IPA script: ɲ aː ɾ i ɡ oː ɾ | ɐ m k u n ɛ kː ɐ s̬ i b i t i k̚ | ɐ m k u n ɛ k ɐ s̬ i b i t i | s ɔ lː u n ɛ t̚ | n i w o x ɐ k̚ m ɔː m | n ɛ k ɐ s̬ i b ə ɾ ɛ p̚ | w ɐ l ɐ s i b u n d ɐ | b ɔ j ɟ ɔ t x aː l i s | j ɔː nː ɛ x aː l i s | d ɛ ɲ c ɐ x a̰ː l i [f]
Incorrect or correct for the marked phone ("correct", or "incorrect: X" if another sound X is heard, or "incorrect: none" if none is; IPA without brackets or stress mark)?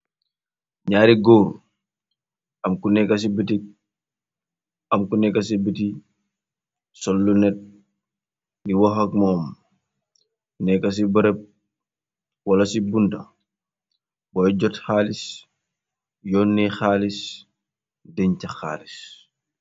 incorrect: s